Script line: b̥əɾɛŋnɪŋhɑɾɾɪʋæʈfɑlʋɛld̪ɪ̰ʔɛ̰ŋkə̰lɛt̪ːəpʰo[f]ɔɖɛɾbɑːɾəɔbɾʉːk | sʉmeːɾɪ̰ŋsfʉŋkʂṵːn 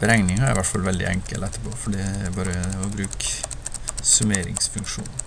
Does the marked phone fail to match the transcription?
no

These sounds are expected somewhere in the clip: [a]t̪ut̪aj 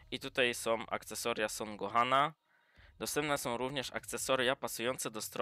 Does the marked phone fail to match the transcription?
yes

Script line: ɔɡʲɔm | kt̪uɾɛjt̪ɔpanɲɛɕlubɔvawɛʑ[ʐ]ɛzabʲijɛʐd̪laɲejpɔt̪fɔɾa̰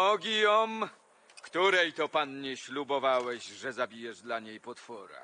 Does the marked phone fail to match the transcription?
no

